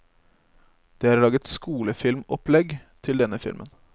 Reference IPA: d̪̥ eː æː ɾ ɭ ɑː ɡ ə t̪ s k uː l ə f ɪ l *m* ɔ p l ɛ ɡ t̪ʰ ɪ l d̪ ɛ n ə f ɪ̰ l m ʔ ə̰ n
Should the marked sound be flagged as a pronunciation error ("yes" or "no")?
no